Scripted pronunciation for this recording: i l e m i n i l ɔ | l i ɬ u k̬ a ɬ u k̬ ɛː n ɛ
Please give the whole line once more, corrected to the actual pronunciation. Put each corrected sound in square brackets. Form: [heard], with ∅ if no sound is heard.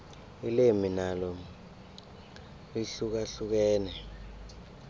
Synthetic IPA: i l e m i n [a] l ɔ | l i ɬ u k̬ a ɬ u k̬ ɛː n ɛ